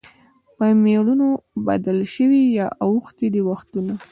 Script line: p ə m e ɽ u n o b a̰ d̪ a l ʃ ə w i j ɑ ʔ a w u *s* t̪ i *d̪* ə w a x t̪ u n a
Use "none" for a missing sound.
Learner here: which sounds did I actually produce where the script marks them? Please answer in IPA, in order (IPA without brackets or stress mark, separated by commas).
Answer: x, d̪